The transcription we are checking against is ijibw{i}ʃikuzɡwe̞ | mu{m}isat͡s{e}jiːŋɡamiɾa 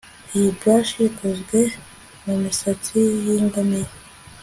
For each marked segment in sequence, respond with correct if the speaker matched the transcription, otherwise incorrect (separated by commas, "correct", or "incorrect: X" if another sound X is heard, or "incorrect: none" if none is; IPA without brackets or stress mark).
incorrect: a, correct, incorrect: i